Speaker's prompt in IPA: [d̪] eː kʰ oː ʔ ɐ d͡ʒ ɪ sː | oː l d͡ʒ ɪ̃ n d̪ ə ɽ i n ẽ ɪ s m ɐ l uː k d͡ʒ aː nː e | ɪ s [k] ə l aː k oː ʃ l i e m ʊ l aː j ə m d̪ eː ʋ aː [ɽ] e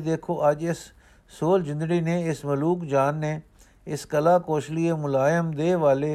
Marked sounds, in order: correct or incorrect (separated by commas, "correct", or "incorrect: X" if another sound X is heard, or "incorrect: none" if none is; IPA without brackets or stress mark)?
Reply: correct, correct, incorrect: l